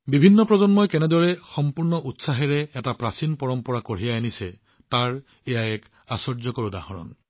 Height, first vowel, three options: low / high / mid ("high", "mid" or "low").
high